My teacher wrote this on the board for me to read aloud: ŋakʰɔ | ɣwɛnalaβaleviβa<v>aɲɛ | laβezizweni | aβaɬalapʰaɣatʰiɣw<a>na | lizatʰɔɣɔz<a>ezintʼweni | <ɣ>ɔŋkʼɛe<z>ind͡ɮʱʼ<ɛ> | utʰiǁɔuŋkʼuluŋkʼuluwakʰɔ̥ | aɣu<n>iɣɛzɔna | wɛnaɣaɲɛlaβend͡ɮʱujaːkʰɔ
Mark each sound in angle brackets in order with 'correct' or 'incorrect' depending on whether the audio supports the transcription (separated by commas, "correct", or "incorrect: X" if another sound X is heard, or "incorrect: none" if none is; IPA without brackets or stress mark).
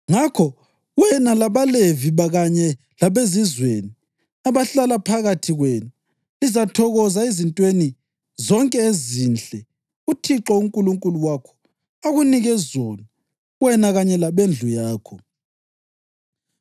incorrect: ɣ, incorrect: ɛ, correct, incorrect: z, correct, correct, correct